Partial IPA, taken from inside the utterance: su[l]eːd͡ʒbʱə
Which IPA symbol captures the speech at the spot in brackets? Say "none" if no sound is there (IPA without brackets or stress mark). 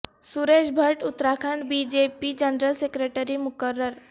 ɾ